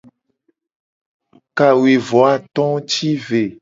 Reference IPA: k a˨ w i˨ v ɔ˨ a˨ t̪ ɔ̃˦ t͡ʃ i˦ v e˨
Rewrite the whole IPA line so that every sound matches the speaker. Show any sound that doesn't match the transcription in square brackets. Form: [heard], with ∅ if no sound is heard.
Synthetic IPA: k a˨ w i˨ v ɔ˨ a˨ t̪ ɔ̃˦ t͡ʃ i˦ v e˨